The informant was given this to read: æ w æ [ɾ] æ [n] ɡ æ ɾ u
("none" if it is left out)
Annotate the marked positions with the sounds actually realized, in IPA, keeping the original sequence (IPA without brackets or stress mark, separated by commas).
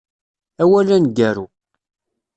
l, n